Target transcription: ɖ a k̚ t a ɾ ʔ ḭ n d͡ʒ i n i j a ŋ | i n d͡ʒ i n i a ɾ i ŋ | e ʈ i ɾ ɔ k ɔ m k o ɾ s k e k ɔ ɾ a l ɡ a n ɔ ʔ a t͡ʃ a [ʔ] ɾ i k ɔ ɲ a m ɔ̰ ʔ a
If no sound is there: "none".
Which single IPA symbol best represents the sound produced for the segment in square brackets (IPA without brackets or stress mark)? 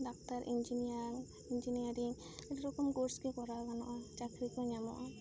k